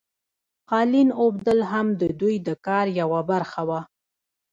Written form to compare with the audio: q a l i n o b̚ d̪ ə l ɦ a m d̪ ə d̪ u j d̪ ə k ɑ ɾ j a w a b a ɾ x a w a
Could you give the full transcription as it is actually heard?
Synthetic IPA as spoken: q ɑ l i n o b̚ d̪ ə l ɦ a m d̪ ə d̪ u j d̪ ə k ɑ ɾ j a w a b a ɾ x a w a